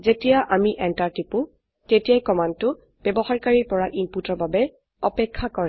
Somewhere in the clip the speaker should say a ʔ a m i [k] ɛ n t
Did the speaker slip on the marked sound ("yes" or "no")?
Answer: yes